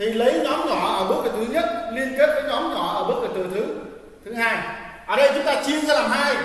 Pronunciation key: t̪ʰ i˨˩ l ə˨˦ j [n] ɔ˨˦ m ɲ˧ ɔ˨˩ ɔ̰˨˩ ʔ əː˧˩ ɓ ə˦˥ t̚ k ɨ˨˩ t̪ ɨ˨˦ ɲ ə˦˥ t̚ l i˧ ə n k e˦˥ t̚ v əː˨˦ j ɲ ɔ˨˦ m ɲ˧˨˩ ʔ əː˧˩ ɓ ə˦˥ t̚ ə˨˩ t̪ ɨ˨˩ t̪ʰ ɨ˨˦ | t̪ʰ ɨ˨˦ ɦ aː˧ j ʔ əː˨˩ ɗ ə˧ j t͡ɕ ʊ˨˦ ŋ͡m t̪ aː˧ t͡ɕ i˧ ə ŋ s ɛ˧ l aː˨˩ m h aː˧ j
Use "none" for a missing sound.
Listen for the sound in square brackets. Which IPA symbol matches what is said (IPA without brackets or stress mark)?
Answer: ɲ